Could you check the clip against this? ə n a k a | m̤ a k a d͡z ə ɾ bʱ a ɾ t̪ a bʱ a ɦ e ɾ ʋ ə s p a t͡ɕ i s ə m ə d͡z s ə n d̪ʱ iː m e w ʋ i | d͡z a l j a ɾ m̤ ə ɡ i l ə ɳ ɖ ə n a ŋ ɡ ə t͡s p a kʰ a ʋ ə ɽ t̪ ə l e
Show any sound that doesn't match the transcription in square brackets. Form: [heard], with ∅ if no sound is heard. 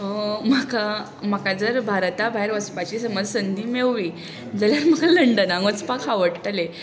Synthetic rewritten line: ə [m] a k a | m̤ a k a d͡z ə ɾ bʱ a ɾ t̪ a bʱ a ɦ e ɾ ʋ ə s p a t͡ɕ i s ə m ə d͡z s ə n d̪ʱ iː m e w ʋ i | d͡z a l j a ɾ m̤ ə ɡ [a] l ə ɳ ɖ ə n a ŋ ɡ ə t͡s p a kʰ a ʋ ə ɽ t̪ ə l e